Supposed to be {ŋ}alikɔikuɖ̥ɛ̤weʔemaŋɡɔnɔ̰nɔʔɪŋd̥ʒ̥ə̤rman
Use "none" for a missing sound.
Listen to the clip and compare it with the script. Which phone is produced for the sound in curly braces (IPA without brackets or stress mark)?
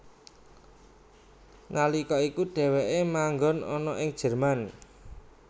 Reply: n